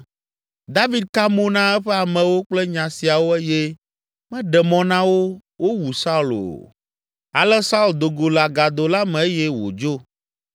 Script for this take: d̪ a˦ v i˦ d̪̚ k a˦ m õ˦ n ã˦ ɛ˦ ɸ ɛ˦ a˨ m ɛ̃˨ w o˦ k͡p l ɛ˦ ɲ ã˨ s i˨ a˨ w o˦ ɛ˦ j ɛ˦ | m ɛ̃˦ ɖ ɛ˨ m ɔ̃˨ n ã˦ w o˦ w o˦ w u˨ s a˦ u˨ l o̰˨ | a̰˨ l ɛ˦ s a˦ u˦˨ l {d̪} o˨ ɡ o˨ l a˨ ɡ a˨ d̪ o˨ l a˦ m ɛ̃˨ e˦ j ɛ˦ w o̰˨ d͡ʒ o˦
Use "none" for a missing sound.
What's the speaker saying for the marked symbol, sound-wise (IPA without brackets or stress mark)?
d̪